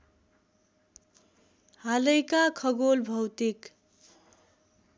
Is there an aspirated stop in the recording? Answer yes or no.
yes